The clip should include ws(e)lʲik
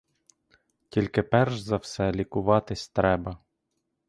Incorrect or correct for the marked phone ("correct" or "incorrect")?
incorrect